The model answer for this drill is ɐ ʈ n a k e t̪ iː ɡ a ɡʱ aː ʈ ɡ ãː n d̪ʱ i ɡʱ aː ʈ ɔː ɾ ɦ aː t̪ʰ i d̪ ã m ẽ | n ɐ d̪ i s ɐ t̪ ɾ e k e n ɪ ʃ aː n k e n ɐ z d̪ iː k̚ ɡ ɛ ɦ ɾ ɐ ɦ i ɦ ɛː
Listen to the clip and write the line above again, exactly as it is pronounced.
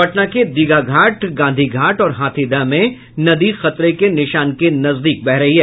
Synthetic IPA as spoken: ɐ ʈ n a k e d̪ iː ɡ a ɡʱ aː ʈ ɡ ãː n d̪ʱ i ɡʱ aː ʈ ɔː ɾ ɦ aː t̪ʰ i d̪ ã m ẽ | n ɐ d̪ i x ɐ t̪ ɾ e k e n ɪ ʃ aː n k e n ɐ z d̪ iː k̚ b ɛ ɦ ɾ ɐ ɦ i ɦ ɛː